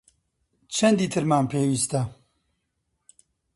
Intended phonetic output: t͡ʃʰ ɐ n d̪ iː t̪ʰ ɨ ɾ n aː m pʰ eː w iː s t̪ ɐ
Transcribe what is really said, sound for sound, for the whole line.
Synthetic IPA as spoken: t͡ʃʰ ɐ n d̪ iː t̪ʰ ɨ ɾ m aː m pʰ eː w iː s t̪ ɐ